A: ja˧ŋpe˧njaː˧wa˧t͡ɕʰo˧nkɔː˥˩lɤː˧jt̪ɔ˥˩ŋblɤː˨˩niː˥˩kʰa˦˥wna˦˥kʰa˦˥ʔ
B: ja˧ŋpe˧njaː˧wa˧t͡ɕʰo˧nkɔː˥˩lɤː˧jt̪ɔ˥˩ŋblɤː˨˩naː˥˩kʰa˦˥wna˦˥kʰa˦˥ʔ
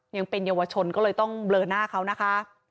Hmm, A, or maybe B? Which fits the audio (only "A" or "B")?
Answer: B